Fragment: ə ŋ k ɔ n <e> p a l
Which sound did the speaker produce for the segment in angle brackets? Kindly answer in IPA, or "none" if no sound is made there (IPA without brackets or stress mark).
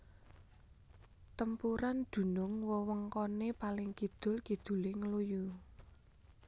e